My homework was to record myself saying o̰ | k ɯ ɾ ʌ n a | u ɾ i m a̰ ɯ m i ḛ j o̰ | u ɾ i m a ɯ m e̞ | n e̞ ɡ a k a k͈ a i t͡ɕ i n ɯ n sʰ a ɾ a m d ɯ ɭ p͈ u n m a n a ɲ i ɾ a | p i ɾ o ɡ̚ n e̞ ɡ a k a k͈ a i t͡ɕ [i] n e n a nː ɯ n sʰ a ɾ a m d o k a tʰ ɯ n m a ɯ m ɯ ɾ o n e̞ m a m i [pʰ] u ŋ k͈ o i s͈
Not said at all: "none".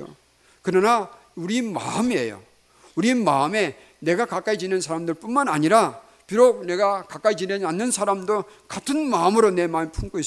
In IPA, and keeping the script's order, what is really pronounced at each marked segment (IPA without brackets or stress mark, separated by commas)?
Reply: i, pʰ